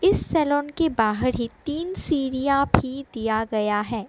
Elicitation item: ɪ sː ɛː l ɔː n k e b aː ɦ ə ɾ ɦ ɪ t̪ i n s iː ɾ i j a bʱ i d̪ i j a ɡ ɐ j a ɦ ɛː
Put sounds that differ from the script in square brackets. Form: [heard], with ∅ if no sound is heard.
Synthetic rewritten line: ɪ sː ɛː l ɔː n k e b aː ɦ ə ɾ ɦ [i] t̪ [iː] n s iː ɾ i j a bʱ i d̪ i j a ɡ ɐ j a ɦ ɛː